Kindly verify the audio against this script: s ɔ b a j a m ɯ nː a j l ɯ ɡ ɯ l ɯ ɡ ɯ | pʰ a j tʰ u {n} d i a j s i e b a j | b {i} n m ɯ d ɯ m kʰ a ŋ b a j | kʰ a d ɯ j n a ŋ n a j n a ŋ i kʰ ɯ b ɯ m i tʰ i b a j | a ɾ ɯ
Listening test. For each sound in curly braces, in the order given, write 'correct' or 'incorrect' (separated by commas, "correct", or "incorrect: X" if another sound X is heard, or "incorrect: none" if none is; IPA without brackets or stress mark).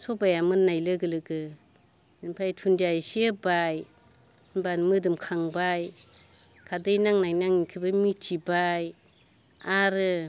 correct, incorrect: a